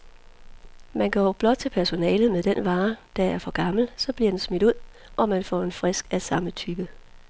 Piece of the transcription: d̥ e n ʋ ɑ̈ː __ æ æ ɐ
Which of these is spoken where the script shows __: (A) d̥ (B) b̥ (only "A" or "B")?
A